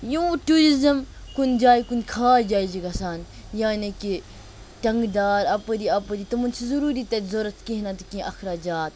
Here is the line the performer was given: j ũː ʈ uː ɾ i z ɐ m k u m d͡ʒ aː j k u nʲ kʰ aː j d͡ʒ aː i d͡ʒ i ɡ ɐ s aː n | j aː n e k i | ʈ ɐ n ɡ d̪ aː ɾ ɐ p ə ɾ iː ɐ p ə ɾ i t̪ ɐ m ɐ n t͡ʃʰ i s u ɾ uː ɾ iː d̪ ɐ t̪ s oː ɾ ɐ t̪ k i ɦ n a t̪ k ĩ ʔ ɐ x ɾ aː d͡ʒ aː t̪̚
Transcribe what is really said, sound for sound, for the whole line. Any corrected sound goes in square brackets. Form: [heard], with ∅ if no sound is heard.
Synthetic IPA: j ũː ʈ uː ɾ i z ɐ m k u [n] d͡ʒ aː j k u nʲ kʰ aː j d͡ʒ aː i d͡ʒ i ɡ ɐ s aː n | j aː n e k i | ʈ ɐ [ŋ] ɡ d̪ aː ɾ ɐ p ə ɾ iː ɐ p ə ɾ i t̪ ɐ m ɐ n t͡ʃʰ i [z] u ɾ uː ɾ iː [t̪] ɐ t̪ [z] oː ɾ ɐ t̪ k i ɦ n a t̪ k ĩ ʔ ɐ x ɾ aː d͡ʒ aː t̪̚

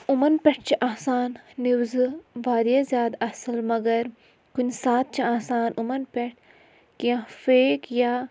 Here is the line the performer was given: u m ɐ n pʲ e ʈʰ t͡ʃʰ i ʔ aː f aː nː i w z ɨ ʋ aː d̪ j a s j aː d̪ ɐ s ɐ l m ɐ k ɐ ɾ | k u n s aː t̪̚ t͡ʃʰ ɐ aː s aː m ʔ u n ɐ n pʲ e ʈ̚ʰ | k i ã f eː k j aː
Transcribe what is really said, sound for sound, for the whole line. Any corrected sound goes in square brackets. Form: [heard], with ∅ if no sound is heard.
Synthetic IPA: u m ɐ n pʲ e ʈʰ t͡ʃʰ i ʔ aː [s] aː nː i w z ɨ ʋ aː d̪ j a [z] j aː d̪ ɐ s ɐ l m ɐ [ɡ] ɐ ɾ | k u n s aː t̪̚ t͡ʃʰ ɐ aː s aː [n] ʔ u [m] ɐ n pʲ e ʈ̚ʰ | k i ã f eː k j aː

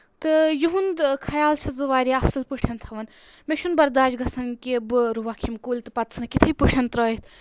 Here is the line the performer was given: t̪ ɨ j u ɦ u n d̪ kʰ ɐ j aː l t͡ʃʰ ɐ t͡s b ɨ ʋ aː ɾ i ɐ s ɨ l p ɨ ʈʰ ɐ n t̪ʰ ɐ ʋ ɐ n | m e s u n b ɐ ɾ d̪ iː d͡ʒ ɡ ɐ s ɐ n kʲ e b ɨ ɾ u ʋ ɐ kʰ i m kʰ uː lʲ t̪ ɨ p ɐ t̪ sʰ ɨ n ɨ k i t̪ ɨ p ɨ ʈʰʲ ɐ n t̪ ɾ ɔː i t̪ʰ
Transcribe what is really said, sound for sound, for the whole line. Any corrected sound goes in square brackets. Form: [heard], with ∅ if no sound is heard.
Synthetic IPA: t̪ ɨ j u ɦ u n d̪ kʰ ɐ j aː l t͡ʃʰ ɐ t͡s b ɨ ʋ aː ɾ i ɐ s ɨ l p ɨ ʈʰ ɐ n t̪ʰ ɐ ʋ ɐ n | m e [ʃ] u n b ɐ ɾ d̪ [aː] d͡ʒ ɡ ɐ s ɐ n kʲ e b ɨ ɾ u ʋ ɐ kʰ i m [k] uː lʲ t̪ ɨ p ɐ t̪ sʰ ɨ n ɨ k i [t̪ʰ] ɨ p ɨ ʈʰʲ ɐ n t̪ ɾ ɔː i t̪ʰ

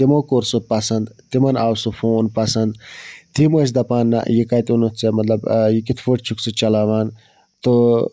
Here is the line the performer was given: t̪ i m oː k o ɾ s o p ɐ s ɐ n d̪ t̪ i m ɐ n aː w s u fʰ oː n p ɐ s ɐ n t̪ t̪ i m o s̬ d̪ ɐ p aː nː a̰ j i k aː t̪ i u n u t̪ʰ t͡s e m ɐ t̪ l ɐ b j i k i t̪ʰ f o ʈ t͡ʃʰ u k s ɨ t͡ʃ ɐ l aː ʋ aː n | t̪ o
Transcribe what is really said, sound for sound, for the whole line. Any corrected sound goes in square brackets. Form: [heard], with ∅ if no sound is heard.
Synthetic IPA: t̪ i m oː k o ɾ s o p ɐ s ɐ n d̪ t̪ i m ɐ n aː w s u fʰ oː n p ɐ s ɐ n [d̪] t̪ i m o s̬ d̪ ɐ p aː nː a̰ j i k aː t̪ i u n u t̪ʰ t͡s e m ɐ t̪ l ɐ b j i k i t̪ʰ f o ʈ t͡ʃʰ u k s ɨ t͡ʃ ɐ l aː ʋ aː n | t̪ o

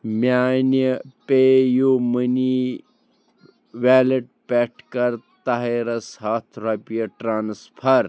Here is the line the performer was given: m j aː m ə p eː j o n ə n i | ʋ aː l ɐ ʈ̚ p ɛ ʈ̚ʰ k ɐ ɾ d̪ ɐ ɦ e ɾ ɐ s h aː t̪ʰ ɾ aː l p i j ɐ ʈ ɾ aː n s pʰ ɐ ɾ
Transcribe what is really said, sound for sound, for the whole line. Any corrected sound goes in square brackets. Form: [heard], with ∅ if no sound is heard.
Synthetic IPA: m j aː [n] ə p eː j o [m] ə n i | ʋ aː l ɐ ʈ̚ p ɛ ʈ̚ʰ k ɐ ɾ [t̪] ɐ ɦ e ɾ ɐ s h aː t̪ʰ ɾ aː [∅] p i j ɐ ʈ ɾ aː n s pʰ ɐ ɾ

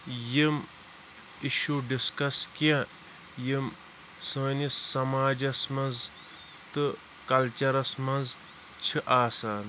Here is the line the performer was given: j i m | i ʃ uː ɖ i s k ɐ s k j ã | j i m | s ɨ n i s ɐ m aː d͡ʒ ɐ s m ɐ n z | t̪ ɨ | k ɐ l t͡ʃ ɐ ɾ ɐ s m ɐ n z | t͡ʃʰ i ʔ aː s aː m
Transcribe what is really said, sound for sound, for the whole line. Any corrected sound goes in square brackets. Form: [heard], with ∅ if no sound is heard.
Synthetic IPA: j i m | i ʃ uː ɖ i s k ɐ s k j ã | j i m | s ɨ n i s ɐ m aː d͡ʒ ɐ s m ɐ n z | t̪ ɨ | k ɐ l t͡ʃ ɐ ɾ ɐ s m ɐ n z | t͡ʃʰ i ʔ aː s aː [n]

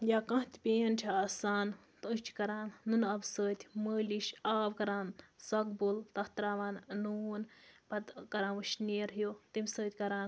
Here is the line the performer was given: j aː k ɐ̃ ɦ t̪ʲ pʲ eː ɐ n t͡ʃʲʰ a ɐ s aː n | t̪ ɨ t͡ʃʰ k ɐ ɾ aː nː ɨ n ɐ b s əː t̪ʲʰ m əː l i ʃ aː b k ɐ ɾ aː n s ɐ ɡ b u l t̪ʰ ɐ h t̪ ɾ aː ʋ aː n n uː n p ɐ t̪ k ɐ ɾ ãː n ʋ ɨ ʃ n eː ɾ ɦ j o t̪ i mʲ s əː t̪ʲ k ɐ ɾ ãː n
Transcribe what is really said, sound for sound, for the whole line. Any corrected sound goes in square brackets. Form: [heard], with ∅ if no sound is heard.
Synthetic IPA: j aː k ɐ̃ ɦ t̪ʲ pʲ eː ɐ n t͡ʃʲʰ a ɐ s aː n | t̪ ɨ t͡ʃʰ k ɐ ɾ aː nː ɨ n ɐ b s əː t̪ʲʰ m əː l i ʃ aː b k ɐ ɾ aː n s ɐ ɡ b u l [t̪] ɐ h t̪ ɾ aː ʋ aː n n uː n p ɐ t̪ k ɐ ɾ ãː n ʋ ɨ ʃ n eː ɾ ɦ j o t̪ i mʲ s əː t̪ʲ k ɐ ɾ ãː n

